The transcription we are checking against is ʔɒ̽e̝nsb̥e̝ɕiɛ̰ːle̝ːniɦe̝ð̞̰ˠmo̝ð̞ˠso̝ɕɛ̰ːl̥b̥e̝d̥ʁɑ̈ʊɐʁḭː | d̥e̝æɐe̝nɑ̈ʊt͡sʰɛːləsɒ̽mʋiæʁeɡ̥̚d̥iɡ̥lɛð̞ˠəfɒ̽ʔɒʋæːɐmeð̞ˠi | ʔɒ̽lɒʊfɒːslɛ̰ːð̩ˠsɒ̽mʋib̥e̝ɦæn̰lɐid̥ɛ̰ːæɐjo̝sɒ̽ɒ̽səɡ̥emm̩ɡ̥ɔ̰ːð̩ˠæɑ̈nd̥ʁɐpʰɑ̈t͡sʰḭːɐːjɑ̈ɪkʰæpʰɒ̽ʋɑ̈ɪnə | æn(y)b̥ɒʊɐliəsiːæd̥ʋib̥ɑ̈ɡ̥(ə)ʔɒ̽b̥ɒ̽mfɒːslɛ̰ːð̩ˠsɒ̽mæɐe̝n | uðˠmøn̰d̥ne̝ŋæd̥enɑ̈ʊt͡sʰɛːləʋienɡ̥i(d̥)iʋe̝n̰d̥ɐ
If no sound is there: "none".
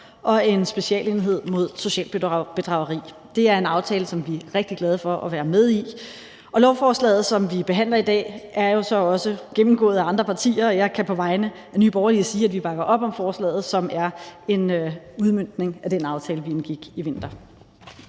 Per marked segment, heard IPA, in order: yː, ɐ, ɡ̥

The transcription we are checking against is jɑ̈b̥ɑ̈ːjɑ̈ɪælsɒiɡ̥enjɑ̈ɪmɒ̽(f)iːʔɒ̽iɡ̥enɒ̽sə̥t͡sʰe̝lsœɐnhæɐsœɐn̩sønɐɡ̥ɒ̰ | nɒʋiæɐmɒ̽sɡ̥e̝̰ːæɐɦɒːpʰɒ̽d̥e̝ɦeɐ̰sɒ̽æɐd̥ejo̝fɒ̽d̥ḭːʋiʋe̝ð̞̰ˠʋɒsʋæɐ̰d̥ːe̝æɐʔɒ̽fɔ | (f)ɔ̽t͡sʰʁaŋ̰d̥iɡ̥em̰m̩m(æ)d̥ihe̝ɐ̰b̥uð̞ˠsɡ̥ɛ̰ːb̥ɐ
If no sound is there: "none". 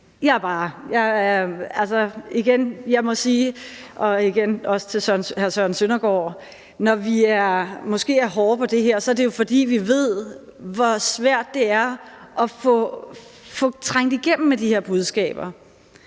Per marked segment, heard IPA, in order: s, f, e

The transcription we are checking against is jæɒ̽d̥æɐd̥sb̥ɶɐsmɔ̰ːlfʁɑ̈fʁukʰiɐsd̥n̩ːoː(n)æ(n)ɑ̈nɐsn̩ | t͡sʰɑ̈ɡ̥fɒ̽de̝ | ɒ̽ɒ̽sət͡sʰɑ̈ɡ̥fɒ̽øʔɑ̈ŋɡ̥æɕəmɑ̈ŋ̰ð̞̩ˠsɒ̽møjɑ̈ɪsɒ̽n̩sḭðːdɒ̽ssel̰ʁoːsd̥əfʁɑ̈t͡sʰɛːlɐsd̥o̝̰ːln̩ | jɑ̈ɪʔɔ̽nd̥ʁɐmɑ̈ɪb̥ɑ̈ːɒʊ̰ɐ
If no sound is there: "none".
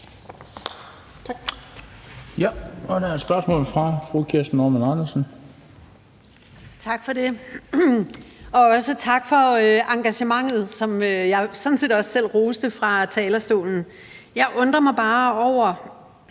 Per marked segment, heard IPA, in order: m, n

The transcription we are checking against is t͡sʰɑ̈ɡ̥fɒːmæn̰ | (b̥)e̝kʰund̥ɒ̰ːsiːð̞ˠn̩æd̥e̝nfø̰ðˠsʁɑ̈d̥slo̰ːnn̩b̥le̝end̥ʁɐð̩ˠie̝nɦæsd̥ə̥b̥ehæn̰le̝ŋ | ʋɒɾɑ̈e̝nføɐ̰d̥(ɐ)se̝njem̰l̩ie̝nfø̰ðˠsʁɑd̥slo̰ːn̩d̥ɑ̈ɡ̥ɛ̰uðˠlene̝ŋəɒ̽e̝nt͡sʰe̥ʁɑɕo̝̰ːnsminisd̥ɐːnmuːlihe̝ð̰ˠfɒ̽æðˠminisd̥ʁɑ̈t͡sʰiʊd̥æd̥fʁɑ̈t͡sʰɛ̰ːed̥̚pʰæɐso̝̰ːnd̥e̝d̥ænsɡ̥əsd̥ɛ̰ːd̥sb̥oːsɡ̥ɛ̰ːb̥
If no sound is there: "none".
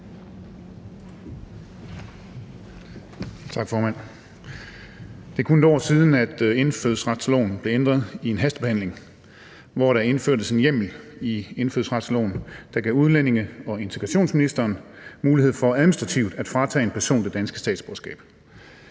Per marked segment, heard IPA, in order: d̥, ə

